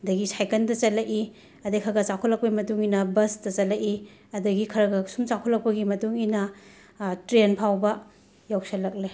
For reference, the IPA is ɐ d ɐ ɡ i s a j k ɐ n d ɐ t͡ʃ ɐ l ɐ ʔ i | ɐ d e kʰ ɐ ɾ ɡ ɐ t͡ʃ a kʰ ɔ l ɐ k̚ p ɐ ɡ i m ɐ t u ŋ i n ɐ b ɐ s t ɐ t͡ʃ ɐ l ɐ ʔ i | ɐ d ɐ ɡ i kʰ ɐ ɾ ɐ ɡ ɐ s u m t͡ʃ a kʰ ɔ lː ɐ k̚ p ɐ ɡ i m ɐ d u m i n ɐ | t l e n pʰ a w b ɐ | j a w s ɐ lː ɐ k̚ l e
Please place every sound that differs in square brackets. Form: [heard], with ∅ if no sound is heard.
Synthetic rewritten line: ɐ d ɐ ɡ i s a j k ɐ n d ɐ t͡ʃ ɐ l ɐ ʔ i | ɐ d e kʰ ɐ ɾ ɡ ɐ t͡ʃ a kʰ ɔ l ɐ k̚ p ɐ ɡ i m ɐ t u ŋ i n ɐ b ɐ s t ɐ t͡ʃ ɐ l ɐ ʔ i | ɐ d ɐ ɡ i kʰ ɐ ɾ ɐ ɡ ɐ s u m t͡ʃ a kʰ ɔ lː ɐ k̚ p ɐ ɡ i m ɐ [t] u [ŋ] i n ɐ | t [ɾ] e n pʰ a w b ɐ | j a w s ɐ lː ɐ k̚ l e